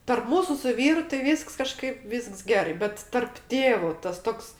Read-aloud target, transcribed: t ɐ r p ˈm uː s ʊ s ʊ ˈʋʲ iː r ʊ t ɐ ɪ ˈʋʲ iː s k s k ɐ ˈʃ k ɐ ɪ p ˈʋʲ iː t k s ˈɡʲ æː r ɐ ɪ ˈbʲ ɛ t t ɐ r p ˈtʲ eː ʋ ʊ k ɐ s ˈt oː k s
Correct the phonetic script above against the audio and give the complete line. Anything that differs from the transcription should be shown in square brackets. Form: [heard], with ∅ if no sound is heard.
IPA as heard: t ɐ r p ˈm uː s ʊ s ʊ ˈʋʲ iː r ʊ t ɐ ɪ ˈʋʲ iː s k s k ɐ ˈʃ k ɐ ɪ p ˈʋʲ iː [s] k s ˈɡʲ æː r ɐ ɪ ˈbʲ ɛ t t ɐ r p ˈtʲ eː ʋ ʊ [t] ɐ s ˈt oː k s

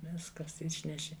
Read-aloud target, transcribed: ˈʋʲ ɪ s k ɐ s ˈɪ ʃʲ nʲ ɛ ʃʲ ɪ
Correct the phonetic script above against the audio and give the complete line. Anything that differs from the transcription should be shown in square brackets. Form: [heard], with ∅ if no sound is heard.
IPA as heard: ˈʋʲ ɪ s k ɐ s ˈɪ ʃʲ nʲ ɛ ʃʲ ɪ

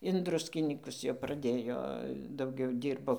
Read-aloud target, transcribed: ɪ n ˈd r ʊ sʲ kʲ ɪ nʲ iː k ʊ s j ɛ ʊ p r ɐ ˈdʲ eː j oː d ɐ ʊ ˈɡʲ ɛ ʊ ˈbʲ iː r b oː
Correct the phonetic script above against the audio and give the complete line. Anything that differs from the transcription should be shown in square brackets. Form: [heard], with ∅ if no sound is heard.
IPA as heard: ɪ n ˈd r ʊ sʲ kʲ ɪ nʲ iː k ʊ s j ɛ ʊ p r ɐ ˈdʲ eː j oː d ɐ ʊ ˈɡʲ ɛ ʊ [ˈdʲ] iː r b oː

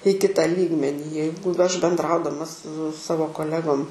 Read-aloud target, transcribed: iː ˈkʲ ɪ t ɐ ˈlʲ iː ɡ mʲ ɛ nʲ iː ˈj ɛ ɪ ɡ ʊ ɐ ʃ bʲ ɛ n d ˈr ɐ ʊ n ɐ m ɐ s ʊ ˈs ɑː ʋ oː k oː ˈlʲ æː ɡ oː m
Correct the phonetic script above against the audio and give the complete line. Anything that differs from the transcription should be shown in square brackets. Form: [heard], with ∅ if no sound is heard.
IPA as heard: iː ˈkʲ ɪ t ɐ ˈlʲ iː ɡ mʲ ɛ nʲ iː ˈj ɛ ɪ ɡ ʊ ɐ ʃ bʲ ɛ n d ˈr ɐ ʊ [d] ɐ m ɐ s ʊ ˈs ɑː ʋ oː k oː ˈlʲ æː ɡ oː m

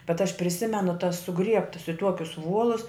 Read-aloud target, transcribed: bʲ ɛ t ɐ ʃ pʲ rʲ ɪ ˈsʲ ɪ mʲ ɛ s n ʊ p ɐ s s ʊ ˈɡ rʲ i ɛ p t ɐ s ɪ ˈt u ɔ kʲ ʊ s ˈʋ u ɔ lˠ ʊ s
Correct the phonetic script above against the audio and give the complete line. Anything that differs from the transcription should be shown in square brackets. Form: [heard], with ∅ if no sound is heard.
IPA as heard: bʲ ɛ t ɐ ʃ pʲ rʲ ɪ ˈsʲ ɪ mʲ ɛ [∅] n ʊ [t] ɐ s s ʊ ˈɡ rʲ i ɛ p t ɐ s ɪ ˈt u ɔ kʲ ʊ s ˈʋ u ɔ lˠ ʊ s

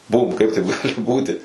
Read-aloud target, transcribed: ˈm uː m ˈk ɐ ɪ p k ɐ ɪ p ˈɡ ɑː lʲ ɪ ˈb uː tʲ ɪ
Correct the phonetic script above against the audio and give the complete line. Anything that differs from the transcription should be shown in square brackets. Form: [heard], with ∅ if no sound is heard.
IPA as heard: [ˈb] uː m ˈk ɐ ɪ p [t] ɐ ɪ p ˈɡ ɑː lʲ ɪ ˈb uː tʲ ɪ

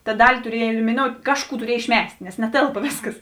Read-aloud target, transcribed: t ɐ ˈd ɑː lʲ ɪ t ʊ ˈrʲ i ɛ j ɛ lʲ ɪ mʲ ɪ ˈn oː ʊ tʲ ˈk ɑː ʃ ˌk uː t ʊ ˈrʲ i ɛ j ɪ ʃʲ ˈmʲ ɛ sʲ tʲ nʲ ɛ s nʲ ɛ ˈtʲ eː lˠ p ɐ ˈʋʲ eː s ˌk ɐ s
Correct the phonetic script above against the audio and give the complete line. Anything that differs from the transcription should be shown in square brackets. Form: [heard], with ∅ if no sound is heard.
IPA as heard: t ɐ ˈd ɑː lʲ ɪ t ʊ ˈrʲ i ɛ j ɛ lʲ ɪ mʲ ɪ ˈn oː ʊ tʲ ˈk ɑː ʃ ˌk uː t ʊ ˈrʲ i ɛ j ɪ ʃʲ ˈmʲ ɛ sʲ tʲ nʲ ɛ s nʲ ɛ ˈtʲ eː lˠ p ɐ ˈʋʲ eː s ˌk ɐ s

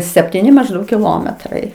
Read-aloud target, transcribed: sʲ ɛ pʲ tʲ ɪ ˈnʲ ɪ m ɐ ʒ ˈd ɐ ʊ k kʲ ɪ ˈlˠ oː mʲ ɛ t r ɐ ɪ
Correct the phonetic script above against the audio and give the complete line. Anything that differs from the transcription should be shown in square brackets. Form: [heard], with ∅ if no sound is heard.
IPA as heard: sʲ ɛ pʲ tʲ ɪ ˈnʲ ɪ m ɐ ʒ ˈd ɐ ʊ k kʲ ɪ ˈlˠ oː mʲ ɛ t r ɐ ɪ

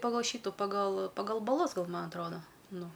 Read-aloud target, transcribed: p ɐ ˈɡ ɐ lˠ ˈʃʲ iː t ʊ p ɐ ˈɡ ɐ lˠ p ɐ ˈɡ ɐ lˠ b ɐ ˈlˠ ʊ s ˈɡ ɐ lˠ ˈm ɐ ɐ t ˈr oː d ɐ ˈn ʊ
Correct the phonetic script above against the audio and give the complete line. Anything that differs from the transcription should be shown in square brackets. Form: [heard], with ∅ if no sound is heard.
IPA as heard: p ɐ ˈɡ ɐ lˠ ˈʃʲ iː t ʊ p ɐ ˈɡ ɐ lˠ p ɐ ˈɡ ɐ lˠ b ɐ ˈlˠ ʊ s ˈɡ ɐ lˠ ˈm ɐ ɐ t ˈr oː d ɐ ˈn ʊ

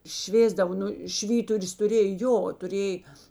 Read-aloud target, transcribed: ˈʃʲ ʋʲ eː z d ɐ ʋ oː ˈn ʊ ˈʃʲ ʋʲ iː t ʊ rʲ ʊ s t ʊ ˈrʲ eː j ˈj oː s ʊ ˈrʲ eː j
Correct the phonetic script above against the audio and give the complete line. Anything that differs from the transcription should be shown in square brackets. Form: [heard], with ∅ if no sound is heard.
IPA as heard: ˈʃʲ ʋʲ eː z d ɐ ʋ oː ˈn ʊ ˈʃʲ ʋʲ iː t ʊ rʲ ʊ s t ʊ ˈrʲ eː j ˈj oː [t] ʊ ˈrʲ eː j

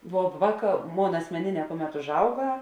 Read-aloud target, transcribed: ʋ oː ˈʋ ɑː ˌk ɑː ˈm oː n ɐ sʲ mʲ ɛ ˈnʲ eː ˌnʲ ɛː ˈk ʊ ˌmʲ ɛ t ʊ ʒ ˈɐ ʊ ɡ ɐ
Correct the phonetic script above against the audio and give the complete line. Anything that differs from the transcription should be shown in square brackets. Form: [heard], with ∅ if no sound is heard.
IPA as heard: ʋ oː ˈʋ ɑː ˌk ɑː ˈm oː n ɐ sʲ mʲ ɛ ˈnʲ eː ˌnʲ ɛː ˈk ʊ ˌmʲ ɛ t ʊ ʒ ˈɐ ʊ ɡ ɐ

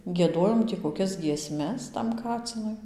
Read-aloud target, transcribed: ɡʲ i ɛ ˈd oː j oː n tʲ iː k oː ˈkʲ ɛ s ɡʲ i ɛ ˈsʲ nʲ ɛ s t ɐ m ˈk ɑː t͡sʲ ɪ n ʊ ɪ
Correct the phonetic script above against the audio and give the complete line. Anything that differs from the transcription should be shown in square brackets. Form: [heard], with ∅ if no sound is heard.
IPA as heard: ɡʲ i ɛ ˈd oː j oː [m] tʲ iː k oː ˈkʲ ɛ s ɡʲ i ɛ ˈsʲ [mʲ] ɛ s t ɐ m ˈk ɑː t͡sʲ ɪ n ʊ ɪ

